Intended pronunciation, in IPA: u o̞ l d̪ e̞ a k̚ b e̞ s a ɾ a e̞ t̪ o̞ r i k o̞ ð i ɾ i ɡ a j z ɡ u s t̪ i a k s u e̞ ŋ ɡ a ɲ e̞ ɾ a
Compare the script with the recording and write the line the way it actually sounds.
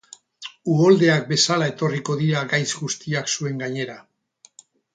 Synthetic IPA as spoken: u o̞ l d̪ e̞ a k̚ b e̞ s a l a e̞ t̪ o̞ r i k o̞ ð i ɾ a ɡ a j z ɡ u s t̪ i a k s u e̞ ŋ ɡ a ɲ e̞ ɾ a